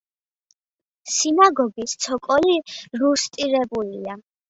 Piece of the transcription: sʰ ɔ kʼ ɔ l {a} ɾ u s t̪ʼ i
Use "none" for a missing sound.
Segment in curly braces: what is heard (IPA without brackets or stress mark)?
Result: i